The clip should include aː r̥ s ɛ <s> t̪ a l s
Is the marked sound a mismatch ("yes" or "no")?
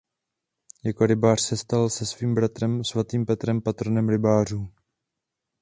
no